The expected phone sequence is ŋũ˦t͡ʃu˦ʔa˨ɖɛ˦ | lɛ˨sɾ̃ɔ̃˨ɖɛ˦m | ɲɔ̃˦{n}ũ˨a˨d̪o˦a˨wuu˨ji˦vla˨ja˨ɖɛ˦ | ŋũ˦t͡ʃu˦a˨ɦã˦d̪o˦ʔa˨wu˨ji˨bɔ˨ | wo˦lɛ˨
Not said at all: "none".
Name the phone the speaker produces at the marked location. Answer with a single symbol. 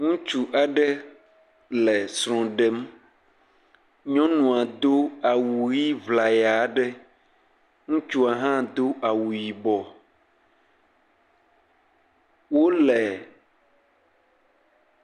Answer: n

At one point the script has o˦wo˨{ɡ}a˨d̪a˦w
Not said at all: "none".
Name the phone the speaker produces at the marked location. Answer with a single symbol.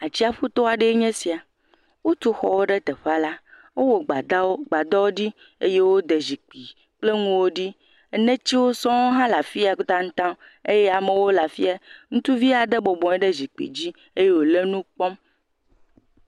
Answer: ɡ͡b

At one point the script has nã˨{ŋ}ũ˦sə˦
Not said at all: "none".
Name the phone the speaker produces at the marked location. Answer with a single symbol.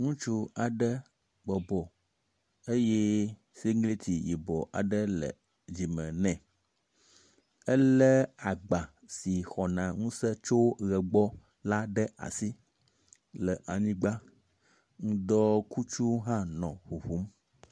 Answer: ŋ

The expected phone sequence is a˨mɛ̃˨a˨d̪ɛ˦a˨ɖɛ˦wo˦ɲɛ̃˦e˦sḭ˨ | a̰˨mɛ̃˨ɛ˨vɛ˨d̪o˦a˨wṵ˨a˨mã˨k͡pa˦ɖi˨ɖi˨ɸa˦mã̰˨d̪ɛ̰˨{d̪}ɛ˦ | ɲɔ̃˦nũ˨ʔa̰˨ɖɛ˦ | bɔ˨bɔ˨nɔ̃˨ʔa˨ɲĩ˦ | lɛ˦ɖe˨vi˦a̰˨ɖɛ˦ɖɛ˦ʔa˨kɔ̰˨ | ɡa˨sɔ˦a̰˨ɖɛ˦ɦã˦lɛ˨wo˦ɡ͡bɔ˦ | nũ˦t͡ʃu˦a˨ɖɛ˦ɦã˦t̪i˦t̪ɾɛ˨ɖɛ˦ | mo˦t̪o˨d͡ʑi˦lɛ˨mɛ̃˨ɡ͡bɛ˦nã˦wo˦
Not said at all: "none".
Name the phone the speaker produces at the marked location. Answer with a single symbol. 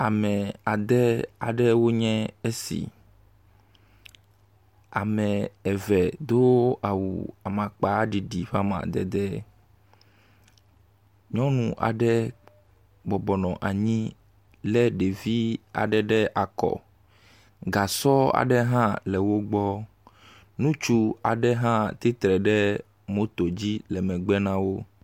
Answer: d̪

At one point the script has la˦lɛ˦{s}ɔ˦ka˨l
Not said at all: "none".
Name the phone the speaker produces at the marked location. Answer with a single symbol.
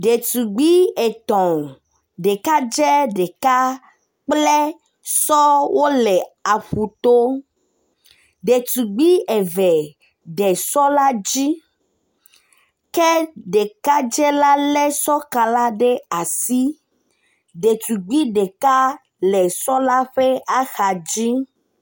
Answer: s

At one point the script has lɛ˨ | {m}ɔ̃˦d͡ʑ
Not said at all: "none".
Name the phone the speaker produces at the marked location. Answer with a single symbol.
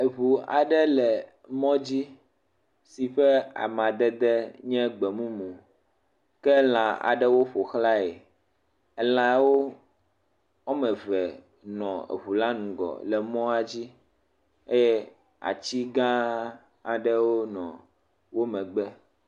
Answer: m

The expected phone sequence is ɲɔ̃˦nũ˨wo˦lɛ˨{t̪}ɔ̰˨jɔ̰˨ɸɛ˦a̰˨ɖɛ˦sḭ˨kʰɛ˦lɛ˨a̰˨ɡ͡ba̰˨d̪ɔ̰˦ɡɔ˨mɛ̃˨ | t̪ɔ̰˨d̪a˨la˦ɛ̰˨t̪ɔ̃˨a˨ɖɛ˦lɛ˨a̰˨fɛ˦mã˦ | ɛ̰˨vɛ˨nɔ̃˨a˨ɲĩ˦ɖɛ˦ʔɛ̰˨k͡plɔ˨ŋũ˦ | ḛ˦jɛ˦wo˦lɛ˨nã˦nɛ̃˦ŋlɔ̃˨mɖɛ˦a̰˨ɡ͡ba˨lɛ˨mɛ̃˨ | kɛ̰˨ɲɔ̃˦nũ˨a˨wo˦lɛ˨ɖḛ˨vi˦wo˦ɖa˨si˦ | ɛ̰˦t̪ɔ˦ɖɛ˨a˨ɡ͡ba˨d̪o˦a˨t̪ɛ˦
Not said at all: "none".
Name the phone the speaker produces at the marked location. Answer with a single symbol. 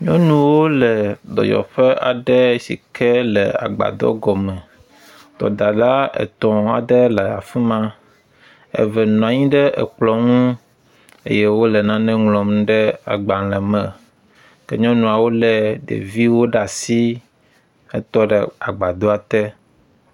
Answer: d̪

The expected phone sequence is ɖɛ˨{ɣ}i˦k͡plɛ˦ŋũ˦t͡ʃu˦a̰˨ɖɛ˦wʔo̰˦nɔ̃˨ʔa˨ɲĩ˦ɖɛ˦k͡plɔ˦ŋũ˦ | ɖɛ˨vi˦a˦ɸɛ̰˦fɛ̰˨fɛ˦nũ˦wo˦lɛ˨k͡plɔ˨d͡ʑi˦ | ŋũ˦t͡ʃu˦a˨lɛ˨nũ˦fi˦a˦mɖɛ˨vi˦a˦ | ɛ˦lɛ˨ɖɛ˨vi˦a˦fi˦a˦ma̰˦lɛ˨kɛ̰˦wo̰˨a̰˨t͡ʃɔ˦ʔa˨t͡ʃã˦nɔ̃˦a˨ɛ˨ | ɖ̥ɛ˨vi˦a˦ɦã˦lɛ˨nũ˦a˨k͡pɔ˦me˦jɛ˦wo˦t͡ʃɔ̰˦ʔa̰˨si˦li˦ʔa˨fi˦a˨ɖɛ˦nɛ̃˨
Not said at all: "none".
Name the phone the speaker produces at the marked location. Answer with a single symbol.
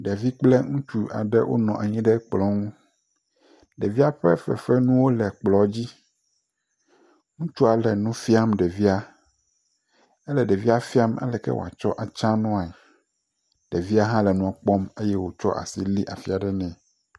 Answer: v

